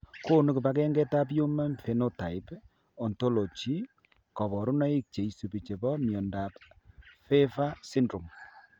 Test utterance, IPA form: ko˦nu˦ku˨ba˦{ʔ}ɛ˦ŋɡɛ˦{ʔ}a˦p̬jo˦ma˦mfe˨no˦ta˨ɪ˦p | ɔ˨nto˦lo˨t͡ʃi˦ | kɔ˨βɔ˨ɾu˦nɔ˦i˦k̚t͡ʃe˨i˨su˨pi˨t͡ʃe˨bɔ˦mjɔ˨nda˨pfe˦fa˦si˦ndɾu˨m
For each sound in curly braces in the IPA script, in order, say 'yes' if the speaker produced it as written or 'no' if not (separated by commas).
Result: no, no